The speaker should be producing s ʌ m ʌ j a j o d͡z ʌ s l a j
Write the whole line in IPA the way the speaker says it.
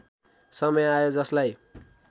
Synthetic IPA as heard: s ʌ m ʌ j a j o d͡z ʌ s l a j